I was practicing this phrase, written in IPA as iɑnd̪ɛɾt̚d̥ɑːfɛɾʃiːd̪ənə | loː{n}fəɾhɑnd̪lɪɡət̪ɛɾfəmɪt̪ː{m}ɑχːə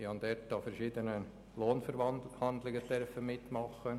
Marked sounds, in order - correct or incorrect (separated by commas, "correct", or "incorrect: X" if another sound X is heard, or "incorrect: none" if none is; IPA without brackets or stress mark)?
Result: correct, correct